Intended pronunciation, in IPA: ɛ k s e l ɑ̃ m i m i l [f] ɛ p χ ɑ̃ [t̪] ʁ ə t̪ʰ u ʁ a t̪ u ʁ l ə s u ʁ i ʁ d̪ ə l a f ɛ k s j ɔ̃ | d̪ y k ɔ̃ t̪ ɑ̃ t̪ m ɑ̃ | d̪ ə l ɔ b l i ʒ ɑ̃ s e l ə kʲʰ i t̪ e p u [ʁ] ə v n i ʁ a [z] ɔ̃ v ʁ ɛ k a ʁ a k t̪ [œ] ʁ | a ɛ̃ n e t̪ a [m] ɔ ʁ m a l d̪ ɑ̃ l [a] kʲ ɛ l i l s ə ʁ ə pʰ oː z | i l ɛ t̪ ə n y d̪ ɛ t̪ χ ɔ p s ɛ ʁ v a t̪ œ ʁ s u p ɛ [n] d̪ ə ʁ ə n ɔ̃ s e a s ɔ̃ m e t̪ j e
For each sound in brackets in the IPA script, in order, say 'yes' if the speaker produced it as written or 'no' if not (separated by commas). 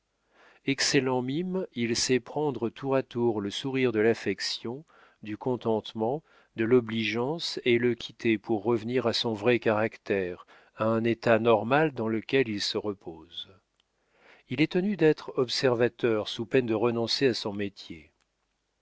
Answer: no, no, no, no, no, no, no, yes